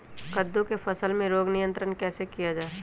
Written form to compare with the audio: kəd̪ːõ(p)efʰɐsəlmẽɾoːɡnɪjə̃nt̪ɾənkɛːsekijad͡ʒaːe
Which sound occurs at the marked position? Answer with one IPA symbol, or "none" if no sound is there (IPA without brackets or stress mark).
k